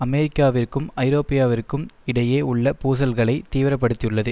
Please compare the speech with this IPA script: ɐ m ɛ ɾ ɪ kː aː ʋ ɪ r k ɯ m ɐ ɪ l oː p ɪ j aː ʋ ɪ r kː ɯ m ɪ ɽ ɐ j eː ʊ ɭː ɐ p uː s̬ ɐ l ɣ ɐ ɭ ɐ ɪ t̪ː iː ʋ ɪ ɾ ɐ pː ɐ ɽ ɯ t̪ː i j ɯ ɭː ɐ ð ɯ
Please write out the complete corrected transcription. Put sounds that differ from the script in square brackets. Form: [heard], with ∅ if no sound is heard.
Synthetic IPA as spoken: ɐ m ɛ ɾ ɪ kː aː ʋ ɪ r k ɯ m ɐ ɪ [ɾ] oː p ɪ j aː ʋ ɪ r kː ɯ m ɪ ɽ ɐ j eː ʊ ɭː ɐ p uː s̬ ɐ l ɣ ɐ ɭ ɐ ɪ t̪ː iː ʋ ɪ ɾ ɐ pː ɐ ɽ ɯ t̪ː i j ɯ ɭː ɐ ð ɯ